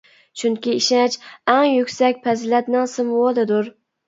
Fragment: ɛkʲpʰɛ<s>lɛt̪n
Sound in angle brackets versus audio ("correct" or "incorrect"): incorrect